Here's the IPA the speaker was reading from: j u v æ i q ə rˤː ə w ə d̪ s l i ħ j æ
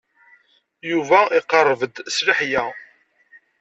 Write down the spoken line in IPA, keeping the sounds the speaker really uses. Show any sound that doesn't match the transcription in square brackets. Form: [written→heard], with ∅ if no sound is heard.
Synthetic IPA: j u v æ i q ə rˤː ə [w→v] ə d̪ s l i ħ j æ

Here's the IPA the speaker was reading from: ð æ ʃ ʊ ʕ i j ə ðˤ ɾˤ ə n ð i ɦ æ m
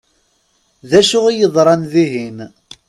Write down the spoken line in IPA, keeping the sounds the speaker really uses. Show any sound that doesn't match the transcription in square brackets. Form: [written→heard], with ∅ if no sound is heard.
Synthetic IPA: ð æ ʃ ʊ [ʕ→ʁ] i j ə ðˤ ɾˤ [ə→ɑ] n ð i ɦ [æ→i] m

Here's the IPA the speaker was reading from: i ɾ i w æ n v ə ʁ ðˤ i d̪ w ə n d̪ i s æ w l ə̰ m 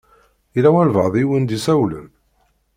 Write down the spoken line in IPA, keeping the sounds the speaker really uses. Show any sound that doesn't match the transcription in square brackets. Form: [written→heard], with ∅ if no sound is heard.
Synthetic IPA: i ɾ [i→æ] w æ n v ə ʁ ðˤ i [d̪→∅] w ə n d̪ i s æ w l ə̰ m

